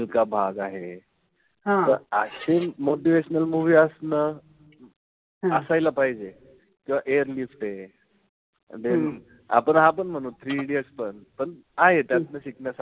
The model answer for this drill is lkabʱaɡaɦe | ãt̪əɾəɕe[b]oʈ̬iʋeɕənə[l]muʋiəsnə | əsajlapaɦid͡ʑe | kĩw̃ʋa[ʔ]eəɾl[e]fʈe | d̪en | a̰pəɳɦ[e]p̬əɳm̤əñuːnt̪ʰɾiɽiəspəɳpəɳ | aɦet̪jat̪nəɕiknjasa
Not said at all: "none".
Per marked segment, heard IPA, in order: m, l, ʔ, i, a

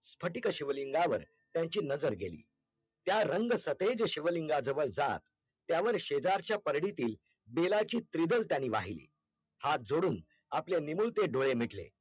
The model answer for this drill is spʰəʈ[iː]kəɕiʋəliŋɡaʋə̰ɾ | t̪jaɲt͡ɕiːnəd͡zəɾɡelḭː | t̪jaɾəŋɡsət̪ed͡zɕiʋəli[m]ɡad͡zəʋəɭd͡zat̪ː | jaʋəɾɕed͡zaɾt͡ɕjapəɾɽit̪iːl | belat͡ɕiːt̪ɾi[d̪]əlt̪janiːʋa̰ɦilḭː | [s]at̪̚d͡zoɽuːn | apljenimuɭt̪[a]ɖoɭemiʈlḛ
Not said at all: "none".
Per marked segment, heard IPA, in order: i, ŋ, d̪, h, e

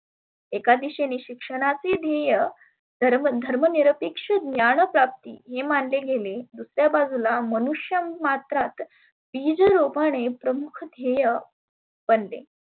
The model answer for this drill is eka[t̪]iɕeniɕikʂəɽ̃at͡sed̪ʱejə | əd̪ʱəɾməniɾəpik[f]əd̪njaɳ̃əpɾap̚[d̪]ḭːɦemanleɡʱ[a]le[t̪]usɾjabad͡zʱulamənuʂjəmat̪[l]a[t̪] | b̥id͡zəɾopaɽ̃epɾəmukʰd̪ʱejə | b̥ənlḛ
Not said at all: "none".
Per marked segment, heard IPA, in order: d̪, ʂ, t̪, e, d̪, ɾ, t̪

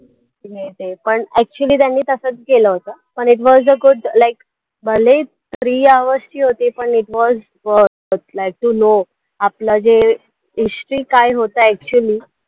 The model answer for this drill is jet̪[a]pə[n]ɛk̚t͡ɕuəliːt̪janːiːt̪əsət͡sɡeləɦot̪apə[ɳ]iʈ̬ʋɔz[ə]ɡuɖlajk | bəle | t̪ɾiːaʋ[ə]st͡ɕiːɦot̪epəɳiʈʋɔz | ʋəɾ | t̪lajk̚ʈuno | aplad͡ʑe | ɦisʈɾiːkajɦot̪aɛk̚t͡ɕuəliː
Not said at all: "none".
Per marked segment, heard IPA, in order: e, ɳ, ɳ, ə, ə

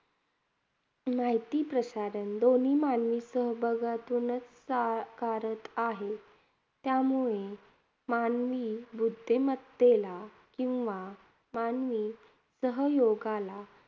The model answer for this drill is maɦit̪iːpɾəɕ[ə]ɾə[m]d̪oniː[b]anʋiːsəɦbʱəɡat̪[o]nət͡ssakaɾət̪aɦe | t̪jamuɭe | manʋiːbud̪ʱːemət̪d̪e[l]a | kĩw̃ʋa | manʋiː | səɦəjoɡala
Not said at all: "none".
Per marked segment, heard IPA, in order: a, n, m, u, l

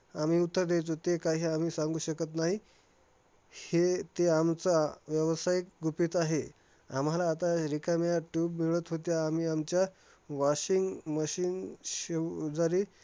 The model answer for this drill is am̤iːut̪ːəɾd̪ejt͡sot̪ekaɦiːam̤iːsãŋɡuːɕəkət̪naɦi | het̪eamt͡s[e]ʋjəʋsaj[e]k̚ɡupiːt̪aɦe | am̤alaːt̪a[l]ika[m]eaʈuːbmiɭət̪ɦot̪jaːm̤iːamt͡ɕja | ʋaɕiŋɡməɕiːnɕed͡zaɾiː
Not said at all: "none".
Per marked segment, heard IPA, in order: a, i, ɾ, m

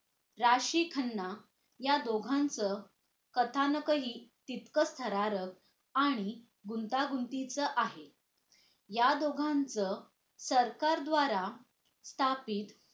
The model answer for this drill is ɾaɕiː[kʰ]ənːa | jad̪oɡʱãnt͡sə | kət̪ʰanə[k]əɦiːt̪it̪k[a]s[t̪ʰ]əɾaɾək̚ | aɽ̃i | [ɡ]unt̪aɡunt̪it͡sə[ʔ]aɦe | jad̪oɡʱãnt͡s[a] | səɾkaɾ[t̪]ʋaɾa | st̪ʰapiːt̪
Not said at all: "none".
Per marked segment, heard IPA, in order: kʰ, k, ə, t̪ʰ, ɡ, ʔ, ə, d̪

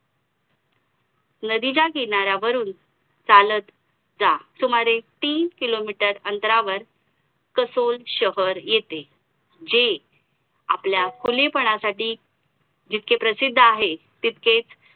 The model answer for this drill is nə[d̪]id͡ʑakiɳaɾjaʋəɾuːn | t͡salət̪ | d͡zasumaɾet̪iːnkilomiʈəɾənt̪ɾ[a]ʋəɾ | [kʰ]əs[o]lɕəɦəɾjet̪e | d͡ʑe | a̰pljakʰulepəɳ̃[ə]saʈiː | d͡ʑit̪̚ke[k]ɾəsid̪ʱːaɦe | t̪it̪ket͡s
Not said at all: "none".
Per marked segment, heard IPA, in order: d̪, a, k, o, a, p

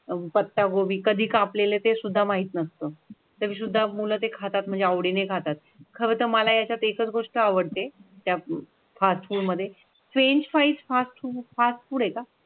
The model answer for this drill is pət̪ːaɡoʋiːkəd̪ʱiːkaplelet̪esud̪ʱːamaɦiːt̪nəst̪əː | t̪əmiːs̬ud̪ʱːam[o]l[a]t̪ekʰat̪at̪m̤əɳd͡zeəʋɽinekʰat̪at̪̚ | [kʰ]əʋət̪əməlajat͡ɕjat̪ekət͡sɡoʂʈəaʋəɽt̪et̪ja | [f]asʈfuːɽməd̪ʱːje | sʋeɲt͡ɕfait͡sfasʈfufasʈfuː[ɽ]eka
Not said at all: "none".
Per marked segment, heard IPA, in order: u, ə, kʰ, f, ɽ

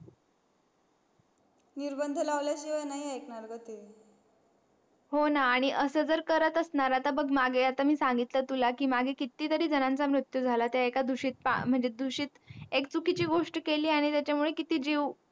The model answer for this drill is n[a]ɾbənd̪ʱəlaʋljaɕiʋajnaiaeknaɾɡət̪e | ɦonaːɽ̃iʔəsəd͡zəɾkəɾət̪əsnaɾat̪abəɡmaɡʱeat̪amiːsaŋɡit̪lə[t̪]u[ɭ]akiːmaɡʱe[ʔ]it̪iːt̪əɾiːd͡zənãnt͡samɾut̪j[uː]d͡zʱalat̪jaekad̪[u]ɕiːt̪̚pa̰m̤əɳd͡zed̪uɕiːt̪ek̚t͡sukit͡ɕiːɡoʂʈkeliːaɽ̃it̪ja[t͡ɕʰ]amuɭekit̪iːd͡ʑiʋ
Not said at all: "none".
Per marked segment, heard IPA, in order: i, t̪, l, k, u, u, t͡ɕ

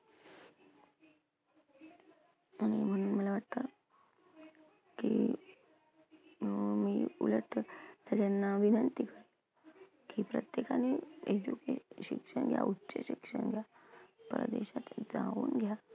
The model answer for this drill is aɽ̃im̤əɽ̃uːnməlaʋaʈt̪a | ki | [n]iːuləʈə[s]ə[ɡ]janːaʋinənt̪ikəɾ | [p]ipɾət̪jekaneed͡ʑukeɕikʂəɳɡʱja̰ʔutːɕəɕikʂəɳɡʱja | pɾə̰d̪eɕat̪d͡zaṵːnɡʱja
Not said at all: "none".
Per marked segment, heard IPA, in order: m, s, ɡ, k

